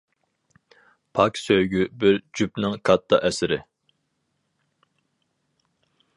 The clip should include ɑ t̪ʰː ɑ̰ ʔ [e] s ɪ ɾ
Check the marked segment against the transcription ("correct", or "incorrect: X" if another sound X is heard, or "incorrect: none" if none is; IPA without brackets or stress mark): incorrect: ɛ